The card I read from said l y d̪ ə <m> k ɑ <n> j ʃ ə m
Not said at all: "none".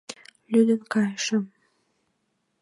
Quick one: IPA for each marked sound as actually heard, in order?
n, none

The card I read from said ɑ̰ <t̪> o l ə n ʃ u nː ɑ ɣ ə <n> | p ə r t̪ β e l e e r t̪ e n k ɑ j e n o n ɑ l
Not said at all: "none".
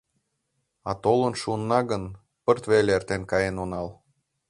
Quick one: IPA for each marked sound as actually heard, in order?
t̪, n

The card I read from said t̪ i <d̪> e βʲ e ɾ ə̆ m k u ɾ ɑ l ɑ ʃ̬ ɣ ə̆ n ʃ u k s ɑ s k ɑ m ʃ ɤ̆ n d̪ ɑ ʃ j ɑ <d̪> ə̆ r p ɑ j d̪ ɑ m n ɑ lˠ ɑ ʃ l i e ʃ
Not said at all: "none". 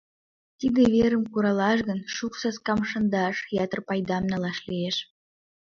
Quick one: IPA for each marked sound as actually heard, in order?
d̪, t̪

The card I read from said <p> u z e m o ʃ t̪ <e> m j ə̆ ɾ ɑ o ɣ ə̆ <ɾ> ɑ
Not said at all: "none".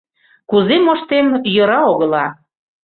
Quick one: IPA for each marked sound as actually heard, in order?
k, e, l

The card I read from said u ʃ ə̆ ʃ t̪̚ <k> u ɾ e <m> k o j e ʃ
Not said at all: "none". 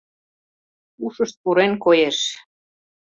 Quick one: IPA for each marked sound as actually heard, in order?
p, n

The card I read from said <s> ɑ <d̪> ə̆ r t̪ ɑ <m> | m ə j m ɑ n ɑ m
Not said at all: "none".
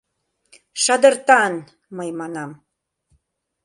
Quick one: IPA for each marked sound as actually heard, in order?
ʃ, d̪, n

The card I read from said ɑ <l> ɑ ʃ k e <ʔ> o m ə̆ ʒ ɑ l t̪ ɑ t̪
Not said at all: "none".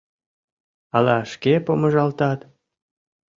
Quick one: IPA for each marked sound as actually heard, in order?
l, p

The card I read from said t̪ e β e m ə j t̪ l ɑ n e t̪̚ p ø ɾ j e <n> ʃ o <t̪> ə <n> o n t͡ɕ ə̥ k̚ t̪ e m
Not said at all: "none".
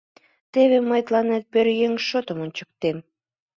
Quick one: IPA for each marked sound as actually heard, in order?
ŋ, t̪, m

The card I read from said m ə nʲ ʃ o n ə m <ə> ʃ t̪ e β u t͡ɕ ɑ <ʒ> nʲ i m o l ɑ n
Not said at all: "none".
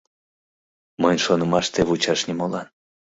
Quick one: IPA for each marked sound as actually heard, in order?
ɑ, ʃ

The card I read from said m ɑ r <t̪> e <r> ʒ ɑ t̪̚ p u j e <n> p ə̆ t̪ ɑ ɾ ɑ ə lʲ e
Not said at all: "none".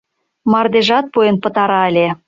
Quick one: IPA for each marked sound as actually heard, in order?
d̪, none, n

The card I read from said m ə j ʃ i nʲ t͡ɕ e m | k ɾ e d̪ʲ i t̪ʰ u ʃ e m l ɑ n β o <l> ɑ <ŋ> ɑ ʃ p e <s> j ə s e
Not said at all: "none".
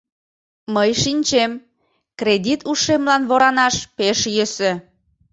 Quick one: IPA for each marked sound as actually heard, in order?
ɾ, n, ʃ

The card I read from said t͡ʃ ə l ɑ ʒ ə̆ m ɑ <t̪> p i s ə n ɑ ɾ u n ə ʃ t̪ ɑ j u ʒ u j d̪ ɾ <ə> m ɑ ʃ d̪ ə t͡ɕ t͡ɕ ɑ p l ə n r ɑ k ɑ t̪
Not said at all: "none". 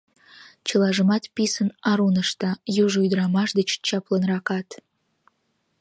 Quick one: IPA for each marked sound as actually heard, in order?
t̪, ɑ

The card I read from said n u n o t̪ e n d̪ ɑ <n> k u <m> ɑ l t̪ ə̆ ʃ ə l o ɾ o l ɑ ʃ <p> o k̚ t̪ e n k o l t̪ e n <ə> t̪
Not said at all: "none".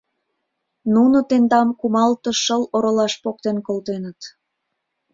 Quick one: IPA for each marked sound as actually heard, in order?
m, m, p, ə

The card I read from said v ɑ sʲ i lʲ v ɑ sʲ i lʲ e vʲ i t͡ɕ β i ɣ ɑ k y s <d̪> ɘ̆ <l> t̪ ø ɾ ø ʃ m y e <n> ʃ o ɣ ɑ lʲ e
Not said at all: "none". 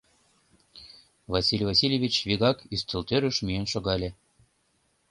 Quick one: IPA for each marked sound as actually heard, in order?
t̪, l, n

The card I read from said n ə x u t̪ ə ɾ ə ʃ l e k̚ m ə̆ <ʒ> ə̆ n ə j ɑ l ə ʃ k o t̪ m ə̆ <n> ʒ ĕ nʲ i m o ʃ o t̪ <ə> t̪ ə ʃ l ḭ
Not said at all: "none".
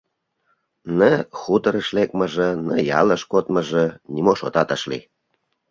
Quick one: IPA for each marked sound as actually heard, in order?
ʒ, none, ɑ

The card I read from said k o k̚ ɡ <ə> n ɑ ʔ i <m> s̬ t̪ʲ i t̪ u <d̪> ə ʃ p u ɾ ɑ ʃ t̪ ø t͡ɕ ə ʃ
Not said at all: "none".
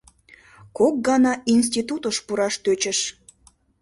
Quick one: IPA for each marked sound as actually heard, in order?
ɑ, n, t̪

